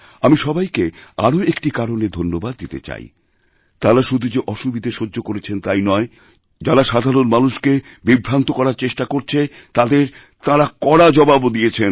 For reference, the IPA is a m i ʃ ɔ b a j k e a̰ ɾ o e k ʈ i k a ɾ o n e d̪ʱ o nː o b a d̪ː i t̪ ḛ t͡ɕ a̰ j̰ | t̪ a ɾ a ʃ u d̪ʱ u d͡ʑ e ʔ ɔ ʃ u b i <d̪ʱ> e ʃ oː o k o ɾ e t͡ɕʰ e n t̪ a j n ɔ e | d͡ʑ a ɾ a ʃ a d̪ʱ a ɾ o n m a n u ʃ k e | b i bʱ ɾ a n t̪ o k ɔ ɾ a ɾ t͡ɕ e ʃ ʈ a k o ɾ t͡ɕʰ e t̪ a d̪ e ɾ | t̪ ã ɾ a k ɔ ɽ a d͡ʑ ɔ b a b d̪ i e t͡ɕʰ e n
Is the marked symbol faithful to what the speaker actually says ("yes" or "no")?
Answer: yes